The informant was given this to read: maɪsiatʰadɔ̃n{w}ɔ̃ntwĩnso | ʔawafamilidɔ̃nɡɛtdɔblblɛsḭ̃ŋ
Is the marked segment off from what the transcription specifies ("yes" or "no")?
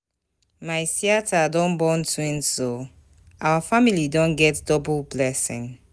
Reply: yes